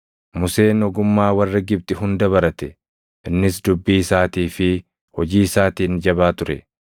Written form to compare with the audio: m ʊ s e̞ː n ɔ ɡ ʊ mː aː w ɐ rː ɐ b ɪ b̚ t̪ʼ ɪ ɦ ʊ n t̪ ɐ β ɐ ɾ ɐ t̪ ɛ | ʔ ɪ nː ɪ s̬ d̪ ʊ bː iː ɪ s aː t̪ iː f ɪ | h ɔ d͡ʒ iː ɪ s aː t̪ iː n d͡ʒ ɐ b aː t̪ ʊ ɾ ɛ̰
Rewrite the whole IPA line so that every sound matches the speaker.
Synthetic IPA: m ʊ s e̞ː n ɔ ɡ ʊ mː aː w ɐ rː ɐ ɡ ɪ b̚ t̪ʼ ɪ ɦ ʊ n d̪ ɐ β ɐ ɾ ɐ t̪ ɛ | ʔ ɪ nː ɪ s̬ d̪ ʊ bː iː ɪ s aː t̪ iː f ɪ | h ɔ d͡ʒ iː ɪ s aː t̪ iː n d͡ʒ ɐ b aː t̪ ʊ ɾ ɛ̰